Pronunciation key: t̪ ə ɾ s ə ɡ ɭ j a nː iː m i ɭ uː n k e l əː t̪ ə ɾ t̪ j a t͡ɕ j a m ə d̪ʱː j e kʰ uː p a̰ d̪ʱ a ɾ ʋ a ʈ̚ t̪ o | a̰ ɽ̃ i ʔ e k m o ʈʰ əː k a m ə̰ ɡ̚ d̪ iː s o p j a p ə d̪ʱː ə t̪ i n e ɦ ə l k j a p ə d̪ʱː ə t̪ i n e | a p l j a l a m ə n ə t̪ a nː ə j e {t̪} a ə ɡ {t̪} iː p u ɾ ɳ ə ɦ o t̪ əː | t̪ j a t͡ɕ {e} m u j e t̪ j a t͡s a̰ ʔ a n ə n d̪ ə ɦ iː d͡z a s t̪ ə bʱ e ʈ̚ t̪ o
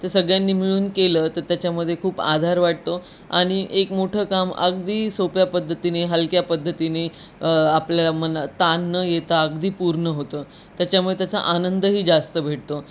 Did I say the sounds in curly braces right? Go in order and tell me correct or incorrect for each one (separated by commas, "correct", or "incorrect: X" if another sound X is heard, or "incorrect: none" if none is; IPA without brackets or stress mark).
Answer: correct, incorrect: d̪, incorrect: a